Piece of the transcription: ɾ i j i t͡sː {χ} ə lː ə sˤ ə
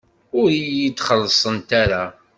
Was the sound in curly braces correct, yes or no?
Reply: yes